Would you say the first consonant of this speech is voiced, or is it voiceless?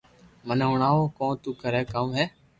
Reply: voiced